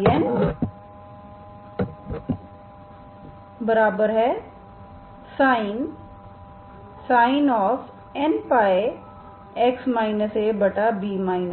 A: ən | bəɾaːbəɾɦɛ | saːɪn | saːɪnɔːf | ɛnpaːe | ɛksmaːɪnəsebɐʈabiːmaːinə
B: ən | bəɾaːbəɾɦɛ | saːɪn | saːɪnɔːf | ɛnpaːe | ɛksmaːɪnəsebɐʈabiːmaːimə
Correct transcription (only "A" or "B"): A